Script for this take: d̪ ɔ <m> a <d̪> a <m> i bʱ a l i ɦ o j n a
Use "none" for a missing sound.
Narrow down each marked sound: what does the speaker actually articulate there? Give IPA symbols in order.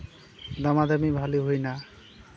m, d̪, m

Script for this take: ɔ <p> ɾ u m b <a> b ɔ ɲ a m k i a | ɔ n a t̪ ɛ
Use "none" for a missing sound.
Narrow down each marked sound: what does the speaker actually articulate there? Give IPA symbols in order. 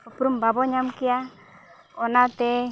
p, a

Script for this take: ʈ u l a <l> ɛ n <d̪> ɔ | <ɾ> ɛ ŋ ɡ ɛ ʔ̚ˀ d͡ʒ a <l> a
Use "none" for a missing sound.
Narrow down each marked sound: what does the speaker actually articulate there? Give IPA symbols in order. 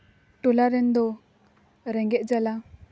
ɾ, d̪, ɾ, l

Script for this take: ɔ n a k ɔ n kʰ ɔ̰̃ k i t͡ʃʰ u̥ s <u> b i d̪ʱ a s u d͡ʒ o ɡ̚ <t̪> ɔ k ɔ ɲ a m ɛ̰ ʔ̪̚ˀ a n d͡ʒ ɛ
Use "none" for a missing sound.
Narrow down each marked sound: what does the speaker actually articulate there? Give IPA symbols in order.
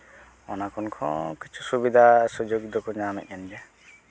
u, d̪

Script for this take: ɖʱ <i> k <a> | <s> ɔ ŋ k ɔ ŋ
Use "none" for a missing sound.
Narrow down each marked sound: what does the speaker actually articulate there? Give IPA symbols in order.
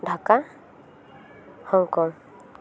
a, a, h

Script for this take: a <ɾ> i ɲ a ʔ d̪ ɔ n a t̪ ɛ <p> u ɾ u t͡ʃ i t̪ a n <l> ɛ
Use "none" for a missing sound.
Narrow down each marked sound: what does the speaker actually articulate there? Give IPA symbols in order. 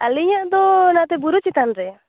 l, b, ɾ

